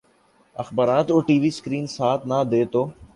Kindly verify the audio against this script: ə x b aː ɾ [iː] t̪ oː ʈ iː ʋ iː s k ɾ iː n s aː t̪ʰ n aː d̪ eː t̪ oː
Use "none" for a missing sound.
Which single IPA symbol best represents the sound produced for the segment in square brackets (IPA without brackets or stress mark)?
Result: aː